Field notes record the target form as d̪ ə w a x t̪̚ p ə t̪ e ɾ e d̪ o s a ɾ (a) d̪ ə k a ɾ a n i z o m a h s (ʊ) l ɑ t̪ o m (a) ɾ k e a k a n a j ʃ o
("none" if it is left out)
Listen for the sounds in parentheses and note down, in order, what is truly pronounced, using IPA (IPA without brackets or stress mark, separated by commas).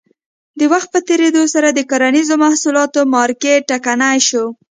a, u, ɑ